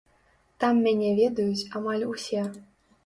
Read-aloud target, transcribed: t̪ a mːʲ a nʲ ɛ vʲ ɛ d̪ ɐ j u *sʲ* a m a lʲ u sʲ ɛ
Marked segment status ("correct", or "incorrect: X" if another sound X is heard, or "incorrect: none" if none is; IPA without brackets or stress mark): incorrect: t͡sʲ